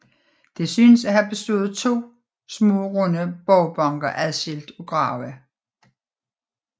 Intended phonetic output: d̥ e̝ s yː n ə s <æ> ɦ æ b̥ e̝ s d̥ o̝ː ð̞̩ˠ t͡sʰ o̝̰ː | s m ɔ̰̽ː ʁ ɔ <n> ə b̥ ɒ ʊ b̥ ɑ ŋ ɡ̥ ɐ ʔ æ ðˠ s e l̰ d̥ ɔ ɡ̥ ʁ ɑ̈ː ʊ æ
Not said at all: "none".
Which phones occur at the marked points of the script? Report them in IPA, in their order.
æ, n

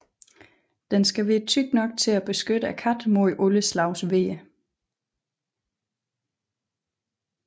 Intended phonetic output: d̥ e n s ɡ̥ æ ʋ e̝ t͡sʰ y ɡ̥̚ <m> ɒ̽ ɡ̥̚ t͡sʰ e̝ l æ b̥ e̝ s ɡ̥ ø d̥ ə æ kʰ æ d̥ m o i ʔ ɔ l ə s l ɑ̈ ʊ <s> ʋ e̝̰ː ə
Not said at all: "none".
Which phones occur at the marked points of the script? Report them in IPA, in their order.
n, s

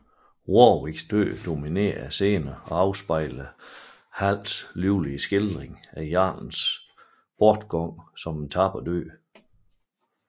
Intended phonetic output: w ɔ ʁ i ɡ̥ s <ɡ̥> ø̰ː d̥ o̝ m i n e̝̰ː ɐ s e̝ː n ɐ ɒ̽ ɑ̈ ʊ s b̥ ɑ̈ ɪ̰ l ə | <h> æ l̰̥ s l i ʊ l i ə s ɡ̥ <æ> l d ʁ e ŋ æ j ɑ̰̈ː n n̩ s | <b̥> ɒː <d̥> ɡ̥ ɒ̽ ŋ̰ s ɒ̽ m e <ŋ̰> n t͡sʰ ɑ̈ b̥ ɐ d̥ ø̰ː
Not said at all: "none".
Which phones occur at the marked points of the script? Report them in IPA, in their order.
d̥, h, e, b̥, d̥, none

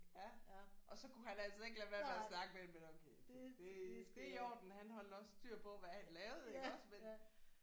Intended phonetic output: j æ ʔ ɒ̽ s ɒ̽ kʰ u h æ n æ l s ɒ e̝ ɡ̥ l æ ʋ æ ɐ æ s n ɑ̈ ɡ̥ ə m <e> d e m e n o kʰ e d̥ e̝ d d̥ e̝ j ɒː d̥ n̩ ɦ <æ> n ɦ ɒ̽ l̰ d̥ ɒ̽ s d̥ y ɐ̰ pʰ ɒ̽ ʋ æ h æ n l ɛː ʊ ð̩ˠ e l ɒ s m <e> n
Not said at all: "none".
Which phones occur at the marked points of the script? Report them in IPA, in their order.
e, æ, e

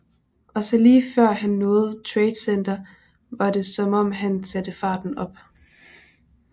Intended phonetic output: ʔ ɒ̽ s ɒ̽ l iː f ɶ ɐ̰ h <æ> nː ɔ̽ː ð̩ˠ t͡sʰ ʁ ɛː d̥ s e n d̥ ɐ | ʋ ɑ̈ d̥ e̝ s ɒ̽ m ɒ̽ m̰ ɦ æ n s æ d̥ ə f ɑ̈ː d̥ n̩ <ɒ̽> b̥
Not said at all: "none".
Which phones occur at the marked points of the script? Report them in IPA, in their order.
æ, ɒ̽

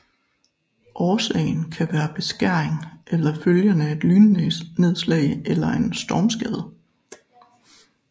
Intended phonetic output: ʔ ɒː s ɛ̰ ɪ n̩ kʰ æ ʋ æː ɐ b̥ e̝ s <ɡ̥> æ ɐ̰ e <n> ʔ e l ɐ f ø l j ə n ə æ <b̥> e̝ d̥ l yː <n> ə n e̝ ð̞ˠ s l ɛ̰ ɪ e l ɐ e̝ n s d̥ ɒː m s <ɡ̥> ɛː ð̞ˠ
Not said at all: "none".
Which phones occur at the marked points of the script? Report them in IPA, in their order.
ɡ̥, ŋ, none, n, ɡ̥

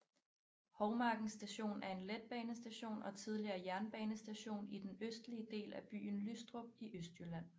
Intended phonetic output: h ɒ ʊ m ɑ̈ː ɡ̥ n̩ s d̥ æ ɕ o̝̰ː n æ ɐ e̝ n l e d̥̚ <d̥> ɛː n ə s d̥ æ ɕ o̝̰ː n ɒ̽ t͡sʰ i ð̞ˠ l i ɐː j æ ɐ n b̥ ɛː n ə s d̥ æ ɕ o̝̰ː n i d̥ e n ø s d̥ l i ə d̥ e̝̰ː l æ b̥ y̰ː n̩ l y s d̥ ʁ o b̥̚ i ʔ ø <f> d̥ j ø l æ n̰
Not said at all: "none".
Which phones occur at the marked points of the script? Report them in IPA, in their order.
b̥, s

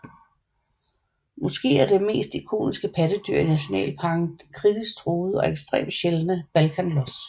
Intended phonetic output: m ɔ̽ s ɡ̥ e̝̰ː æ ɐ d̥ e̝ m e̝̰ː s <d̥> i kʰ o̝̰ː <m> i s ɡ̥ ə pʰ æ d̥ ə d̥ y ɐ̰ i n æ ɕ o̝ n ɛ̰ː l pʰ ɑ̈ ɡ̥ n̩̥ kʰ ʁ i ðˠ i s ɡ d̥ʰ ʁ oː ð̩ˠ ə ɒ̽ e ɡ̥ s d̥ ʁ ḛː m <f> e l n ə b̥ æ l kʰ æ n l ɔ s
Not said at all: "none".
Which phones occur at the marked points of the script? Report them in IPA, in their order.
d̥, n, ɕ

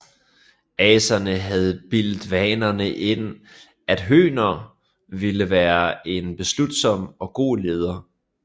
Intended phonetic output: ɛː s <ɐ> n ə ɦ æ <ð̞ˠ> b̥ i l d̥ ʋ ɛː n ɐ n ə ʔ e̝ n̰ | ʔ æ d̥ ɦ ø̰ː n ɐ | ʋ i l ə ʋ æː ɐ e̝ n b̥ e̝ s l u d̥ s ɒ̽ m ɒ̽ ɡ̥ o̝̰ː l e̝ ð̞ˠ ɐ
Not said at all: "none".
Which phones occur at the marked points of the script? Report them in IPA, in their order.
ɐ, ð̞ˠ

